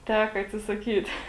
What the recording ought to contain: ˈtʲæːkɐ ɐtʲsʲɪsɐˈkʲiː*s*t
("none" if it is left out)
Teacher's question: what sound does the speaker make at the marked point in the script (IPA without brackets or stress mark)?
none